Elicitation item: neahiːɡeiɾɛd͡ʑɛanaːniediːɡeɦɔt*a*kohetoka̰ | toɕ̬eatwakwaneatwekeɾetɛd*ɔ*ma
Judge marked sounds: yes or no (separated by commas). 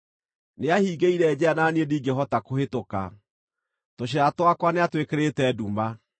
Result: yes, no